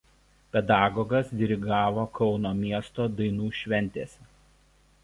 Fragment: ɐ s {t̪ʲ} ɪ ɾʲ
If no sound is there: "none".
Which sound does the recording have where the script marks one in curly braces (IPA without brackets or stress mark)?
d̪ʲ